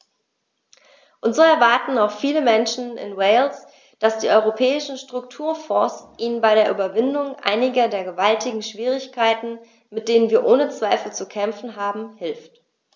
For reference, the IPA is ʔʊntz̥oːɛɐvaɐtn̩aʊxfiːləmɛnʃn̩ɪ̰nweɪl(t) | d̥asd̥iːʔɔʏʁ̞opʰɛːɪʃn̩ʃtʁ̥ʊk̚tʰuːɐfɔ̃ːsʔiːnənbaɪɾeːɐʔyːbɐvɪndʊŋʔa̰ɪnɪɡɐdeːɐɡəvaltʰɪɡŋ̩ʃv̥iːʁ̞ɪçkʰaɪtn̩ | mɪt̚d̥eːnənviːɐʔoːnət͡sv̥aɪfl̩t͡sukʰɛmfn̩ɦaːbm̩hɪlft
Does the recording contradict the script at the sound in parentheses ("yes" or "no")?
yes